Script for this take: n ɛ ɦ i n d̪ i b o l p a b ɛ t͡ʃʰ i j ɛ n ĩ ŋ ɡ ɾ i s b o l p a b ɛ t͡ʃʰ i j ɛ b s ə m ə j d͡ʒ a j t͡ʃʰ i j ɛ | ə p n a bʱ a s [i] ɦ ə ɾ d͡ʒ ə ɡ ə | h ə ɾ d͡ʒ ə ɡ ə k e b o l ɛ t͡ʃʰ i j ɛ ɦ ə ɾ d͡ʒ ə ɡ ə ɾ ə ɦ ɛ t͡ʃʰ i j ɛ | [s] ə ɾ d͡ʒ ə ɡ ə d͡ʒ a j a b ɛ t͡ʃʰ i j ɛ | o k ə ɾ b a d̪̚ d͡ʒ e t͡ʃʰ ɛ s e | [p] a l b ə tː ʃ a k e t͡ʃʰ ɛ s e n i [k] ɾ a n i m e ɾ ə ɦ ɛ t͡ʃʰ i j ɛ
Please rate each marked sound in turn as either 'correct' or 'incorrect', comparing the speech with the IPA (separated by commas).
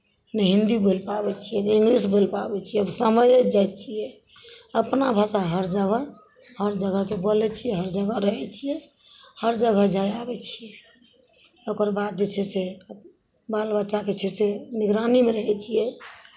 incorrect, incorrect, incorrect, incorrect